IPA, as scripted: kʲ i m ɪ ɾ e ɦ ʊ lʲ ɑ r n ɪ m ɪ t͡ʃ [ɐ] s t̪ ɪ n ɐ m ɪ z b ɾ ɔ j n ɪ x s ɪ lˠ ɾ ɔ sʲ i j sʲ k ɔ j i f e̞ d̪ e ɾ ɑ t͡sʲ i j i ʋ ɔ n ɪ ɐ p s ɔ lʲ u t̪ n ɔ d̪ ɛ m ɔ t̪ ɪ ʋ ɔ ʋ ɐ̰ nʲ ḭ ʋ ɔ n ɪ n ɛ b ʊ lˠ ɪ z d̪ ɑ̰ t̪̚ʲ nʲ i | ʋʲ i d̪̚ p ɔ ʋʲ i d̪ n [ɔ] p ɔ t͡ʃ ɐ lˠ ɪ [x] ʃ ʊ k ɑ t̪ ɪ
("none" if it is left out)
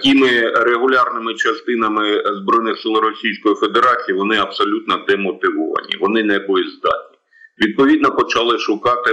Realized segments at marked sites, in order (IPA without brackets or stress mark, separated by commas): ɐ, ɔ, none